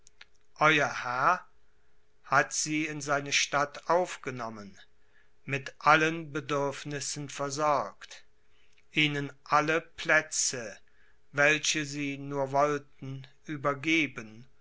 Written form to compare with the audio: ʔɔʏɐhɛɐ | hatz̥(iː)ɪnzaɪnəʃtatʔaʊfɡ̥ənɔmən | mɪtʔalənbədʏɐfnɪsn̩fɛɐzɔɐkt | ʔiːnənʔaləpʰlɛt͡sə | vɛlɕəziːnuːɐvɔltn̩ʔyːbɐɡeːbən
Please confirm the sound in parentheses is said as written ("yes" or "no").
yes